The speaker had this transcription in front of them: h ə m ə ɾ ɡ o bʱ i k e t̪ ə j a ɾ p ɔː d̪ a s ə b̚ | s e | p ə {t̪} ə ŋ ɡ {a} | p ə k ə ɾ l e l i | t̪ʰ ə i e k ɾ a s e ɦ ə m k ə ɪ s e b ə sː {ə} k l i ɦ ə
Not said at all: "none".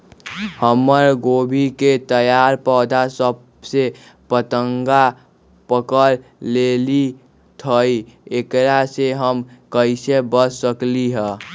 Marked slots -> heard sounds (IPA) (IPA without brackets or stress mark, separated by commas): t̪, a, ə